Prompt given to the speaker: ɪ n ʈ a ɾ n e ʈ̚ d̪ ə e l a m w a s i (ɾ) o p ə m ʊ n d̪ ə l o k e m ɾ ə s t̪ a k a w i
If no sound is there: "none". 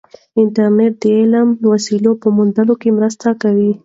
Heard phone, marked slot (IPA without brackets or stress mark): l